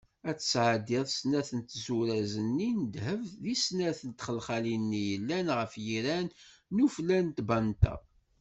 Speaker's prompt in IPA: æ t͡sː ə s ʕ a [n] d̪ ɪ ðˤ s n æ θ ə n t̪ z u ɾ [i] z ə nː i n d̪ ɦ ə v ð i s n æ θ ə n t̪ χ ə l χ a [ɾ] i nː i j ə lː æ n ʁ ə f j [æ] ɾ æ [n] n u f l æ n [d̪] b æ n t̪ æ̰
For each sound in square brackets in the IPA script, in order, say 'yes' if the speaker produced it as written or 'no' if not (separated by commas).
no, no, no, no, yes, no